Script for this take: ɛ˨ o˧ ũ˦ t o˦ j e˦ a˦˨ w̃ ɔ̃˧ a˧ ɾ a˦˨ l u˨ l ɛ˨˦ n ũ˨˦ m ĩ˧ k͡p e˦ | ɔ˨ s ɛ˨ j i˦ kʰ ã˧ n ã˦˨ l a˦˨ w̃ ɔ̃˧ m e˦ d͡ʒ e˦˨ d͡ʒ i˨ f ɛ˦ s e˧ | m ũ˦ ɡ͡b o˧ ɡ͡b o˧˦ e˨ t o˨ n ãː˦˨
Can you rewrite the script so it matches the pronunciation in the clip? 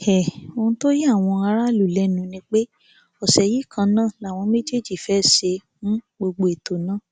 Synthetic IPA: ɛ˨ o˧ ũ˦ t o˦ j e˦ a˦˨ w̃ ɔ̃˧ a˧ ɾ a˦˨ l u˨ l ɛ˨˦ n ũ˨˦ n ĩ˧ k͡p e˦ | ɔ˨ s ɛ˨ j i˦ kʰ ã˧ n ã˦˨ l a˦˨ w̃ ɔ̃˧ m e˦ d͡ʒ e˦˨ d͡ʒ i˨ f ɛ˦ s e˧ | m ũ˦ ɡ͡b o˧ ɡ͡b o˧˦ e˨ t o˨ n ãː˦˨